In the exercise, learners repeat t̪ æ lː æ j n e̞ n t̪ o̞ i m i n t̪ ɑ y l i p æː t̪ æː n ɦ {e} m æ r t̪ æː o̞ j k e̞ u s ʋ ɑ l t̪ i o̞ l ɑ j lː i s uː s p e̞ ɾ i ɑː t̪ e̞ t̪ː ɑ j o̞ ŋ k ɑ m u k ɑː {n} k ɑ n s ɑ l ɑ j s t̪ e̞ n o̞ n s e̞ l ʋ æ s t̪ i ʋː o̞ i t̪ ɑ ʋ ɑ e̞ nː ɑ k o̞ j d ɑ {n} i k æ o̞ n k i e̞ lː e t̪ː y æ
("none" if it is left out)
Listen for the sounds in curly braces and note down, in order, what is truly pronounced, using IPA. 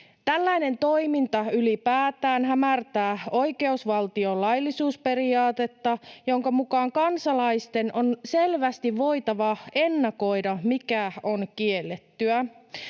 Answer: æ, ŋ, m

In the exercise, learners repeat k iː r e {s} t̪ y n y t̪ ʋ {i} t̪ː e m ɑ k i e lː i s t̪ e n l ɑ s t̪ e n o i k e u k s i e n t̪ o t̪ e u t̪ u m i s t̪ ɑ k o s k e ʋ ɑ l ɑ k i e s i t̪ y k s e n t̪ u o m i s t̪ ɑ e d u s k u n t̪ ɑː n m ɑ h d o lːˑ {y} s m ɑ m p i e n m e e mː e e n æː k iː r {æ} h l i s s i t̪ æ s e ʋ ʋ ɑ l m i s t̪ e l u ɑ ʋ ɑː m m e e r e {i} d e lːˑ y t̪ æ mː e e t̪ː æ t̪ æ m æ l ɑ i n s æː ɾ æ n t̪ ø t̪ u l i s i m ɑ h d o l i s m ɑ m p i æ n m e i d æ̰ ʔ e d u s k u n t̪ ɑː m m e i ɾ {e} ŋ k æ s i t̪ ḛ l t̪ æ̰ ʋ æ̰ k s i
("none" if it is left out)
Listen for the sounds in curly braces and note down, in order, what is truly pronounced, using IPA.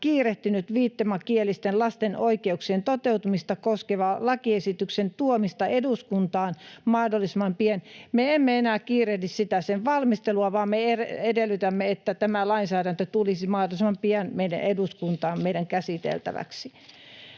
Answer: h, iː, i, e, e, æ

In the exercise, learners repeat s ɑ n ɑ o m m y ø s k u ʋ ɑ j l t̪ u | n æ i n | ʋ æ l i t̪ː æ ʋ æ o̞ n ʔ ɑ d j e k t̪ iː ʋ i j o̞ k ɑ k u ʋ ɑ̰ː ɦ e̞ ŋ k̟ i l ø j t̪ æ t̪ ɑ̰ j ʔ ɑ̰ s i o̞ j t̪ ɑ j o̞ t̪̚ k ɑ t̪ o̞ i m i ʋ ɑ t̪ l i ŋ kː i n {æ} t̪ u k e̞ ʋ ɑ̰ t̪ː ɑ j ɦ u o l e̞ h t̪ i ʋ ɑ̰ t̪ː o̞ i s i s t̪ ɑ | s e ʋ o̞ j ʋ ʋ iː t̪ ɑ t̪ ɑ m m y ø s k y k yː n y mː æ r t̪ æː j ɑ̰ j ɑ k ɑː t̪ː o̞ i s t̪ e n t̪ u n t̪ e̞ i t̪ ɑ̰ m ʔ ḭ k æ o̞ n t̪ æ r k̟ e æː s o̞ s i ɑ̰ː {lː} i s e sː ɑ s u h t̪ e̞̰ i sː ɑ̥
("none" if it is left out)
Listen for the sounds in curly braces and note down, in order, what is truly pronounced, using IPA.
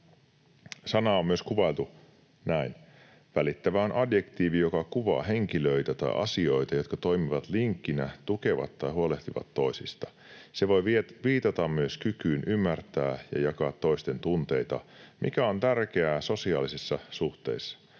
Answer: æ, l

